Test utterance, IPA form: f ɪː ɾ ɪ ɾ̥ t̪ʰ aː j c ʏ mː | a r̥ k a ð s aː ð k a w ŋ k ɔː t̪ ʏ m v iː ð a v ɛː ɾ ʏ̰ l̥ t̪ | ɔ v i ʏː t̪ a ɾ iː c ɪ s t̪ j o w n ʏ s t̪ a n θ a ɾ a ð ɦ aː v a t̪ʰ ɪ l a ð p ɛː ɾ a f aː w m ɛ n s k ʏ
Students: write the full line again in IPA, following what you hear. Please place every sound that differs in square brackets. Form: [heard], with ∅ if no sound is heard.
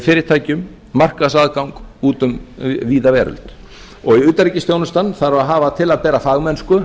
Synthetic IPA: f ɪː ɾ ɪ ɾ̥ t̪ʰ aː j c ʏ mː | a r̥ k a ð s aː ð k a w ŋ k [uː] t̪ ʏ m v iː ð a v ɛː ɾ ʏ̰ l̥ t̪ | ɔ [ɣ] i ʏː t̪ a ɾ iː c ɪ s t̪ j o w n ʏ s t̪ a n θ a ɾ a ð ɦ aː v a t̪ʰ ɪ l a ð p ɛː ɾ a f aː [ɣ] m ɛ n s k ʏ